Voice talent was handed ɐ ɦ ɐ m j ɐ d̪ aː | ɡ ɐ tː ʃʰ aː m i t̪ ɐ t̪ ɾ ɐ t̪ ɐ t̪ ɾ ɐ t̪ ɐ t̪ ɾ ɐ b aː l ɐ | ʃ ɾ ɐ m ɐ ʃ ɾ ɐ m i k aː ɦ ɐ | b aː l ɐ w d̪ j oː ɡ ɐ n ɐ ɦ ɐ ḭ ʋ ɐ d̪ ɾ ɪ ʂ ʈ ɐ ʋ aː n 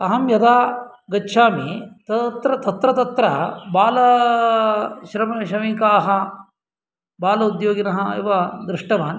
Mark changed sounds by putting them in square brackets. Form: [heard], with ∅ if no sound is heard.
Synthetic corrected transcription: ɐ ɦ ɐ m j ɐ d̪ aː | ɡ ɐ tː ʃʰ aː m i t̪ ɐ t̪ ɾ ɐ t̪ ɐ t̪ ɾ ɐ t̪ ɐ t̪ ɾ ɐ b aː l ɐ | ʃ ɾ ɐ m ɐ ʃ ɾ ɐ m i k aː ɦ ɐ | b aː l ɐ [u] d̪ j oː ɡ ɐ n ɐ ɦ ɐ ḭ ʋ ɐ d̪ ɾ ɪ ʂ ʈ ɐ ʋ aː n